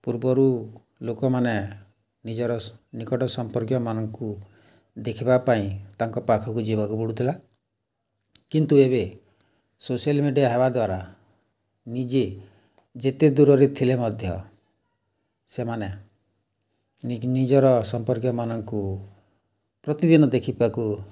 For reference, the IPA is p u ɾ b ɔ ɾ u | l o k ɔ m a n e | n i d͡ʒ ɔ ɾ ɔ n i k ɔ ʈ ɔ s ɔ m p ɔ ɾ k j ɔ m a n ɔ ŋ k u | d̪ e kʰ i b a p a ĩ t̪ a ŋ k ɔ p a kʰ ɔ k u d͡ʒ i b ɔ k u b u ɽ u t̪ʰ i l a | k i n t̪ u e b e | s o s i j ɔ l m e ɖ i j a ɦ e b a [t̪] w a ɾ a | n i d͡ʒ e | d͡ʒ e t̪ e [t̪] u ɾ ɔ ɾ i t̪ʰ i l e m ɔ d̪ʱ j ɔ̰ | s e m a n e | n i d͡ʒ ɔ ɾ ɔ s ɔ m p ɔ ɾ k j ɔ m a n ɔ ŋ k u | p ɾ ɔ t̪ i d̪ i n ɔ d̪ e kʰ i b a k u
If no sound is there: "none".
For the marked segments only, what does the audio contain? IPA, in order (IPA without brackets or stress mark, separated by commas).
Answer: d̪, d̪